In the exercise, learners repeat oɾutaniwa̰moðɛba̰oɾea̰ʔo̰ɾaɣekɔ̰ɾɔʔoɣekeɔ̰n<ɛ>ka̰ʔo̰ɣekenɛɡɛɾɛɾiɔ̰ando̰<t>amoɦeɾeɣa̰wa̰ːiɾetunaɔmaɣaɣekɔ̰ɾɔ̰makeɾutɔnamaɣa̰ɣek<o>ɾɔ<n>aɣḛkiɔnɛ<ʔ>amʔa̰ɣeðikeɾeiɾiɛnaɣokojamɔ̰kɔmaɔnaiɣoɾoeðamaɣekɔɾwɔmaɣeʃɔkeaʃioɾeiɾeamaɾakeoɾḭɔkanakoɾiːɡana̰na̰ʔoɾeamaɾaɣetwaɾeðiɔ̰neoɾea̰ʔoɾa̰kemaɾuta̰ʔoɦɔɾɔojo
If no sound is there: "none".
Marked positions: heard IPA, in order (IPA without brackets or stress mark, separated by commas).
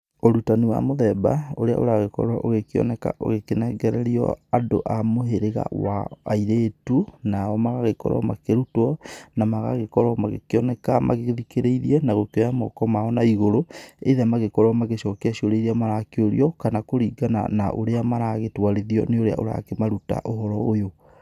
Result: ɛ, ʔ, ɔ, m, k